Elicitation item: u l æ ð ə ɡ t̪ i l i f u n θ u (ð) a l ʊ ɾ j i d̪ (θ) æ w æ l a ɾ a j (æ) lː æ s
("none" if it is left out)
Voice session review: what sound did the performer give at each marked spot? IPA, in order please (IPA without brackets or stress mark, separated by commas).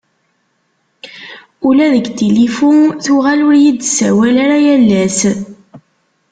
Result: ʁ, s, æ